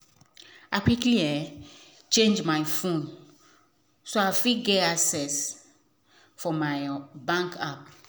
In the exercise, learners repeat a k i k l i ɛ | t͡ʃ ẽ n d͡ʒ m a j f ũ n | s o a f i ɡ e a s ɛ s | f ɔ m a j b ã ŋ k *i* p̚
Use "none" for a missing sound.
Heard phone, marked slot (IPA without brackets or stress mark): a